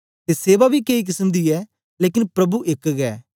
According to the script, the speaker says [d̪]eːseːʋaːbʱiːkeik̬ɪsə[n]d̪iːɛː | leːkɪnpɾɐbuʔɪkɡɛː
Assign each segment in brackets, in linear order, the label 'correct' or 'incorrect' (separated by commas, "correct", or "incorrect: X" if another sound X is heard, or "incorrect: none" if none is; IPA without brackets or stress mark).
incorrect: t̪, incorrect: m